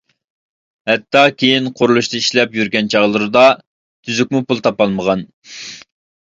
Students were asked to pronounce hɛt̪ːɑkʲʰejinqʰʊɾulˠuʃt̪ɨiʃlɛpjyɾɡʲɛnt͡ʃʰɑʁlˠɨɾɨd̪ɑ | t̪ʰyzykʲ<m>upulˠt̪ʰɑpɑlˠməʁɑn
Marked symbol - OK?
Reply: yes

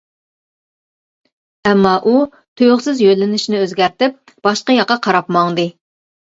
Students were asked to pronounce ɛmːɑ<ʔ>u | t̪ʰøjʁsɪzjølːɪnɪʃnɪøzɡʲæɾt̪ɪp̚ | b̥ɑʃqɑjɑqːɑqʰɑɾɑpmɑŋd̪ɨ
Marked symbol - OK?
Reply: yes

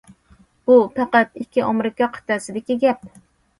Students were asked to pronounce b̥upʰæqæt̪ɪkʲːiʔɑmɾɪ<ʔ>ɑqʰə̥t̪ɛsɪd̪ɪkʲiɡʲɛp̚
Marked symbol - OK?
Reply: no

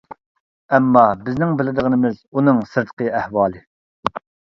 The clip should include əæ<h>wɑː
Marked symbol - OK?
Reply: yes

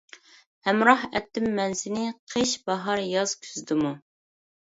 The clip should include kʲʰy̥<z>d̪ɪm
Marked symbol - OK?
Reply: yes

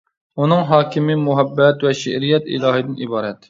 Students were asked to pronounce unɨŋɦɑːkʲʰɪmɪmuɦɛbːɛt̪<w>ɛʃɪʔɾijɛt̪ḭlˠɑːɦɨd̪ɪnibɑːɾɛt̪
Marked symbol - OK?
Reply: yes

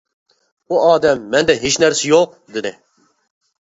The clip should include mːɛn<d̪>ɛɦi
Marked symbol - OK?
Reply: yes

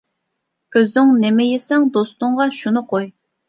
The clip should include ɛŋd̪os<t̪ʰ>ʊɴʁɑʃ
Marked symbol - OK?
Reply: no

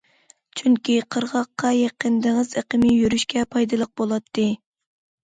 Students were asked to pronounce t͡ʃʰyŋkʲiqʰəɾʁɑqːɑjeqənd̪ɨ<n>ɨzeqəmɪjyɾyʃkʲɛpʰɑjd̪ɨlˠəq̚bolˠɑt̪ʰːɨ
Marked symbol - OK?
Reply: no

